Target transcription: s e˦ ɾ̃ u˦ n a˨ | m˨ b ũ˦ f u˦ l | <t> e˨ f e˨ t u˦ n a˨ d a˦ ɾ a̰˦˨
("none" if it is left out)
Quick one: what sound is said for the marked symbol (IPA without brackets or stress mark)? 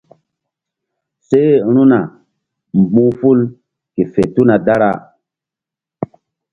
k